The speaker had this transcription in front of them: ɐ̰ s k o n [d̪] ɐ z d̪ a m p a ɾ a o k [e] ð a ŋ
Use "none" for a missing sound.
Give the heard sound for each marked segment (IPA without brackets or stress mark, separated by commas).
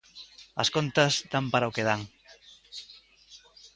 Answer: t̪, e